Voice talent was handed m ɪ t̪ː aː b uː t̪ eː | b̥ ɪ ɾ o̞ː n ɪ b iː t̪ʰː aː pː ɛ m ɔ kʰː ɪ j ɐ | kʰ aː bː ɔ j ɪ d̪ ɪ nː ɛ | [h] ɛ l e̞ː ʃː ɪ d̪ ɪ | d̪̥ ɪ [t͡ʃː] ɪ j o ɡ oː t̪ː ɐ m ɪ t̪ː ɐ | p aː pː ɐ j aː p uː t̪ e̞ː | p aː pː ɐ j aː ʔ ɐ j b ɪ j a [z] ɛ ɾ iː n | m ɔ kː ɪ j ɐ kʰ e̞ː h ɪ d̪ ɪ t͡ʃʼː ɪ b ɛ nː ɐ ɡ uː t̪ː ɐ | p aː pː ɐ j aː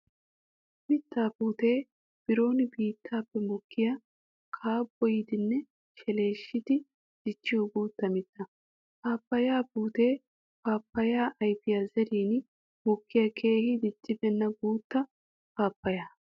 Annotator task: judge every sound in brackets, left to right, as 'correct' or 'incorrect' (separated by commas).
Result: incorrect, correct, correct